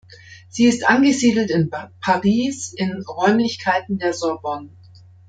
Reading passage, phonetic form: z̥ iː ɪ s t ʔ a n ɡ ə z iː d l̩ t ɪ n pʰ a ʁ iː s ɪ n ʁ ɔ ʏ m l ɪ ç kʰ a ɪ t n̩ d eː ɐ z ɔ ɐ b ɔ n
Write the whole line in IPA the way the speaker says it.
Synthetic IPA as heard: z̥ iː ɪ s t ʔ a n ɡ ə z iː d l̩ t ɪ n pʰ a ʁ iː s ɪ n ʁ ɔ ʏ m l ɪ ç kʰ a ɪ t n̩ d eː ɐ z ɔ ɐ b ɔ n